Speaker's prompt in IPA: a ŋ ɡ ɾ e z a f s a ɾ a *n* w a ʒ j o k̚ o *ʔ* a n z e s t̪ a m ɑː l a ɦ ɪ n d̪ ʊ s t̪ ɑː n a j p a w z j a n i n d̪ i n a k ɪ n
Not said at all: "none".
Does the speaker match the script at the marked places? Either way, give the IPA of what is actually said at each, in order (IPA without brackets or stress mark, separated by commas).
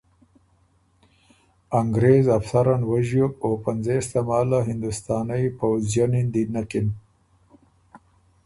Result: n, p